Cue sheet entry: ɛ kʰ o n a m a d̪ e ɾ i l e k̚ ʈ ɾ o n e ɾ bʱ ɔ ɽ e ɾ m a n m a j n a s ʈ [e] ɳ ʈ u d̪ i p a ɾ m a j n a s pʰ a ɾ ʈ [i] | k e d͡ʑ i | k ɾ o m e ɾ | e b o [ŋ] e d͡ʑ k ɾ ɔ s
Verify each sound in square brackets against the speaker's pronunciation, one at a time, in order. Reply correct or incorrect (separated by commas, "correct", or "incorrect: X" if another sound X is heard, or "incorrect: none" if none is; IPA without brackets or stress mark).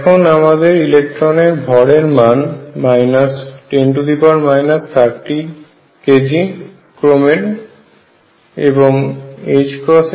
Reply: correct, correct, correct